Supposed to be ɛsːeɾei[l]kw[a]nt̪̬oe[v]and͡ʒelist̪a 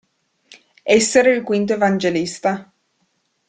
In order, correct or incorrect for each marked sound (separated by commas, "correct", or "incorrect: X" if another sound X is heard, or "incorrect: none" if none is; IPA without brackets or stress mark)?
correct, incorrect: i, correct